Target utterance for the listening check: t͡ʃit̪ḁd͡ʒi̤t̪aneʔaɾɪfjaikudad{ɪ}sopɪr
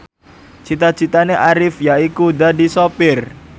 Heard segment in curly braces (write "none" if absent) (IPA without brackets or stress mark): i